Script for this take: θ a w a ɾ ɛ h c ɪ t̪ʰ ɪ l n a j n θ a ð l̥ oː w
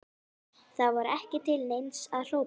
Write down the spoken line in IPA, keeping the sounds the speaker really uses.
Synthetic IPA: θ a v a ɾ ɛ h c ɪ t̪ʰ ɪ l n e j n s a ð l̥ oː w